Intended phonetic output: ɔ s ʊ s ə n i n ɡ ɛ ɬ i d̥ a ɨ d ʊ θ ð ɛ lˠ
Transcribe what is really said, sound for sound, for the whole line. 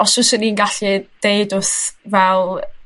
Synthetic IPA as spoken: ɔ s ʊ s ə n i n ɡ a ɬ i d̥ e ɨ d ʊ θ v ɛ lˠ